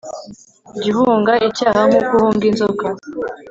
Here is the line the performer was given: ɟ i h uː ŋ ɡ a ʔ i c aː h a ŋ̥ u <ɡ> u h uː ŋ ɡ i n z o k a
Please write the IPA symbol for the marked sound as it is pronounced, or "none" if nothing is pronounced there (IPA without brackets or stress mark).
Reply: k